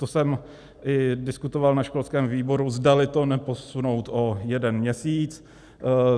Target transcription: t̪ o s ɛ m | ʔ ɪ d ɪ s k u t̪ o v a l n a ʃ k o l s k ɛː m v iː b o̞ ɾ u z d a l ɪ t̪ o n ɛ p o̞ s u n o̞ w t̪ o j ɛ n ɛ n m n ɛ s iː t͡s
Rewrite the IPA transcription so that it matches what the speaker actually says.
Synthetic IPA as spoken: t̪ o s ɛ m | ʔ ɪ d ɪ s k u t̪ o v a l n a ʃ k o l s k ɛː m v iː b o̞ ɾ u z d a l ɪ t̪ o n ɛ p o̞ s u n o̞ w t̪ o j ɛ d ɛ n m ɲ ɛ s iː t͡s